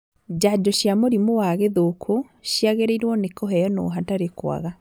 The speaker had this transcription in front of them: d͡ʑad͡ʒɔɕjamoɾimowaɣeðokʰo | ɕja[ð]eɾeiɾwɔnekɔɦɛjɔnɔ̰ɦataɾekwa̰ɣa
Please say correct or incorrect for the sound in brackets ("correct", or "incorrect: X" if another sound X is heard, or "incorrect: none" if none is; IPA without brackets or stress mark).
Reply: incorrect: ɣ